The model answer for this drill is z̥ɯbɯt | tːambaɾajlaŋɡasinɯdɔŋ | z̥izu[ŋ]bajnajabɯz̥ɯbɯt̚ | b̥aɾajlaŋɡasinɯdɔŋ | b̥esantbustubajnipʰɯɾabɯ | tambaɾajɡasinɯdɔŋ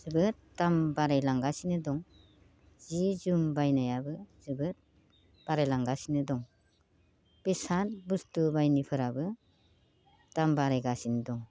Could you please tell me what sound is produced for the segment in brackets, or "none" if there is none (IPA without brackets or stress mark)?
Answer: m